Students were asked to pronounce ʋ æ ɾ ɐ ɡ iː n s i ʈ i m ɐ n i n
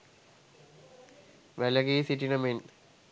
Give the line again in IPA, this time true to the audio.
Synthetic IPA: ʋ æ l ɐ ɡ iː s i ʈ i n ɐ m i n